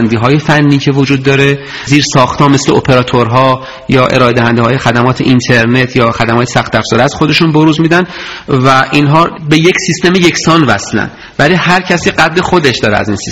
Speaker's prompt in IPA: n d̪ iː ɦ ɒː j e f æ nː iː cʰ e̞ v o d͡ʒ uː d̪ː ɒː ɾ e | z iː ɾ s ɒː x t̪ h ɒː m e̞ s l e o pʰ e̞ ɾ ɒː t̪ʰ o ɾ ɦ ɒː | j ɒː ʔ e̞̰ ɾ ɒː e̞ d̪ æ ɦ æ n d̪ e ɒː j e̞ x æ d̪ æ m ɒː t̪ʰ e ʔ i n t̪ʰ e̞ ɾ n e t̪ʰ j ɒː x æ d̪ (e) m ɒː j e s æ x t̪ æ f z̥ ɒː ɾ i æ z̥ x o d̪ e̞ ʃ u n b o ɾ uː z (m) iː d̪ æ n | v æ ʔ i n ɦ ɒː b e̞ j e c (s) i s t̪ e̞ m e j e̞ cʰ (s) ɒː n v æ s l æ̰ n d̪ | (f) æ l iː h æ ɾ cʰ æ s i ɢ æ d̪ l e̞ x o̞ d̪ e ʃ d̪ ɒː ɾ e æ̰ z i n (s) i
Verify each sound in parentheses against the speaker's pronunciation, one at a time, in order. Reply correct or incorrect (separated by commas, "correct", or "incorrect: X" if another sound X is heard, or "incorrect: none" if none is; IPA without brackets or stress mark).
incorrect: æ, correct, correct, correct, incorrect: v, correct